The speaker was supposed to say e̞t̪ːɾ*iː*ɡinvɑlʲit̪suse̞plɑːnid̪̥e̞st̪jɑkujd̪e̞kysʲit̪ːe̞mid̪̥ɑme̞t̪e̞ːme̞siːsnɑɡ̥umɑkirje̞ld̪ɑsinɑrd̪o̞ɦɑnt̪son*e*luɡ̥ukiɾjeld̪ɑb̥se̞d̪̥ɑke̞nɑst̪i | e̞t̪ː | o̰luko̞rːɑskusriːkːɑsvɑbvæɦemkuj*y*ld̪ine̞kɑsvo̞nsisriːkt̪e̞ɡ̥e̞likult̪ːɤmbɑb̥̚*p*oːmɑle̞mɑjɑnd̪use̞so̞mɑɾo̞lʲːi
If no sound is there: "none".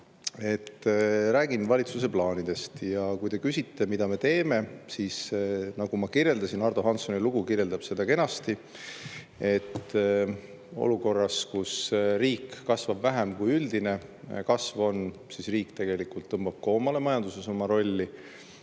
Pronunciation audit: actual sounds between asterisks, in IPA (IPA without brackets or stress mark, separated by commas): æː, i, y, k